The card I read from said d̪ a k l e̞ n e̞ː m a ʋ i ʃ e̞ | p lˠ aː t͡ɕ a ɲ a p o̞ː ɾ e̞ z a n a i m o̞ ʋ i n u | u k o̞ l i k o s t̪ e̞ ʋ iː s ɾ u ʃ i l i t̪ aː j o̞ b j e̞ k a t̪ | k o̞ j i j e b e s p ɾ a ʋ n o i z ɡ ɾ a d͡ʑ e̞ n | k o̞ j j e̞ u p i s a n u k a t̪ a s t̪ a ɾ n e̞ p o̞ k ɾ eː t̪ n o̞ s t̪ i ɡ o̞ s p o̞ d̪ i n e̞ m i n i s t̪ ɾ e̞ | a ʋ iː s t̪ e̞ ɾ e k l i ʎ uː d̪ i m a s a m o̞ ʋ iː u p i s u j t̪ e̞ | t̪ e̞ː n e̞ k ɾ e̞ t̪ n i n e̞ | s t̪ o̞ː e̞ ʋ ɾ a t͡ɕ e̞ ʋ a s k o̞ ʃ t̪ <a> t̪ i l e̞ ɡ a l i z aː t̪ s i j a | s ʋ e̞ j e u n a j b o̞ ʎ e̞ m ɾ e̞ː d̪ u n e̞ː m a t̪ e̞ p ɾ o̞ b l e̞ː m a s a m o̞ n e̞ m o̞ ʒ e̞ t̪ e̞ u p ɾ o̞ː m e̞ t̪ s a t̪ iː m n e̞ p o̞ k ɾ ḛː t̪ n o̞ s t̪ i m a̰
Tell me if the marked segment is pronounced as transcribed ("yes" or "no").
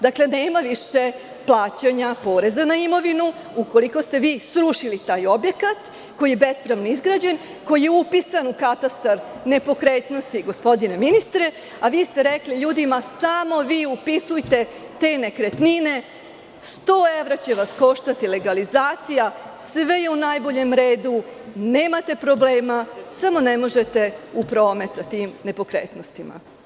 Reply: yes